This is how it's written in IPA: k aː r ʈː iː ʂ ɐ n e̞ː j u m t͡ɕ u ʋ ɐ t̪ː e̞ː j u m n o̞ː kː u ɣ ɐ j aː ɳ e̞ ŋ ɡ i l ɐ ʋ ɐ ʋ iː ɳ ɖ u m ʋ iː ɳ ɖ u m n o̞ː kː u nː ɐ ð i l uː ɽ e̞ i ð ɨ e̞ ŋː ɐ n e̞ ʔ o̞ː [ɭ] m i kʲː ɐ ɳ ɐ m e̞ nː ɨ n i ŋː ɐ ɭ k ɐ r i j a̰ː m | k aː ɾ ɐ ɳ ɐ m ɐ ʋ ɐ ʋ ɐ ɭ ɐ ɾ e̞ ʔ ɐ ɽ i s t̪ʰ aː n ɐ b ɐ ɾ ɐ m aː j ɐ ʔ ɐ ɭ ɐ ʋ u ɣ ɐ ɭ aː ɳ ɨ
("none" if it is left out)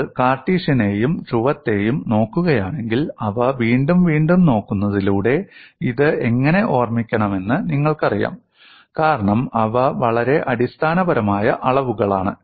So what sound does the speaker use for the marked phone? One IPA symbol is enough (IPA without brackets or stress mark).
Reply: r